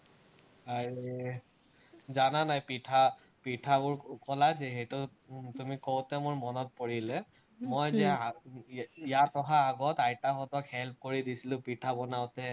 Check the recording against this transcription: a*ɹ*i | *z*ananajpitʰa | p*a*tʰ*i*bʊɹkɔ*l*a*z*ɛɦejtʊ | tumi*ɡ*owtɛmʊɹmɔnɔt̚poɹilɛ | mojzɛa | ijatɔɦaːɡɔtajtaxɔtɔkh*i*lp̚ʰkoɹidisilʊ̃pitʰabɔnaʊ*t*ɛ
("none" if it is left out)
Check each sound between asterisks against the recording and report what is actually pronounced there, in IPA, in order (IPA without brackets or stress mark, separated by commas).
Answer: ɹ, z, i, a, l, z, k, ɛ, t